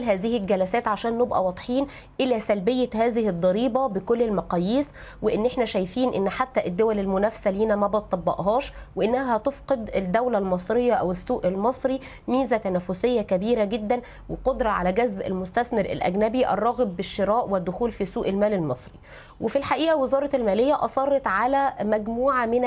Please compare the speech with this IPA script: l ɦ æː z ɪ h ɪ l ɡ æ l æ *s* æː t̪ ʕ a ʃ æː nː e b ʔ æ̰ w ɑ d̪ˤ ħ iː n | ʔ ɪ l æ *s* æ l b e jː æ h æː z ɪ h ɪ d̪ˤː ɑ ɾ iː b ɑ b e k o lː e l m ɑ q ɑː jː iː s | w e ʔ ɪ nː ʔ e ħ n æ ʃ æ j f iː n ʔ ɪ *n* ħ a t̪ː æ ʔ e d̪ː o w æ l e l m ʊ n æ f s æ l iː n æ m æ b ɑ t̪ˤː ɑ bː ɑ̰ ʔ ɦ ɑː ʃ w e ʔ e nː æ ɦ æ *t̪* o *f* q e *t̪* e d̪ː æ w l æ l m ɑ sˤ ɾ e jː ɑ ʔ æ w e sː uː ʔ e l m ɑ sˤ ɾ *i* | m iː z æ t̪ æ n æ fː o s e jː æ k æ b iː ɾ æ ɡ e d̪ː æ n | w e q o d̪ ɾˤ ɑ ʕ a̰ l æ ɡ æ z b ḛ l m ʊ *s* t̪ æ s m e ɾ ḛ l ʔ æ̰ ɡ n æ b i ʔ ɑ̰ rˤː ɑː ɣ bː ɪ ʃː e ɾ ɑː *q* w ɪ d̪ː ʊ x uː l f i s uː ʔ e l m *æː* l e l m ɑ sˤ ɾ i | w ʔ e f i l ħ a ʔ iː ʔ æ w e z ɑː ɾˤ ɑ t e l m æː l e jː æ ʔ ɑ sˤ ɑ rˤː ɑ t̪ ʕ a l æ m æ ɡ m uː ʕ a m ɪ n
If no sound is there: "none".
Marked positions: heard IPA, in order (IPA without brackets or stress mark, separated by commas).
s, s, nː, t̪, f, d̪, i, s, ʔ, æː